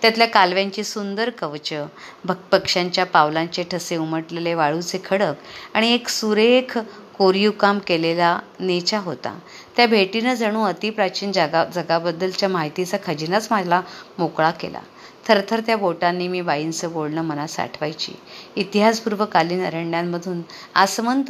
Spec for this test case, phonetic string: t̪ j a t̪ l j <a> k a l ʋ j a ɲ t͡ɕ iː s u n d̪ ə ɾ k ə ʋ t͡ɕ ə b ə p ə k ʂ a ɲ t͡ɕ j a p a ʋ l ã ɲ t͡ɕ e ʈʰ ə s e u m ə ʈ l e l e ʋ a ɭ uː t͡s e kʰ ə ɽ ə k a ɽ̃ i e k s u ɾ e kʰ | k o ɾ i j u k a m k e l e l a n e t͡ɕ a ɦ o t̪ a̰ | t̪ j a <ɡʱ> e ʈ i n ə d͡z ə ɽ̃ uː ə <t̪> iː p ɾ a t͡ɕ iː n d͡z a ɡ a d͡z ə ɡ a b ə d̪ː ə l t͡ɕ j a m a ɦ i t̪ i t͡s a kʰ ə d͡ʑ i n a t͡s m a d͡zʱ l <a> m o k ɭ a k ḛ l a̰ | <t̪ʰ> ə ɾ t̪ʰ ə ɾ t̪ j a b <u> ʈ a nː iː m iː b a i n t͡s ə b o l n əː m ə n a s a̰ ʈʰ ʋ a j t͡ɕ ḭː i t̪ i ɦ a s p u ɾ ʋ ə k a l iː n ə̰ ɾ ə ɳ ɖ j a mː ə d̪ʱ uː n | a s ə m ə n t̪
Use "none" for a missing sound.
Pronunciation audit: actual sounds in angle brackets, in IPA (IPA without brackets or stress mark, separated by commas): a, bʱ, t̪, a, t̪ʰ, o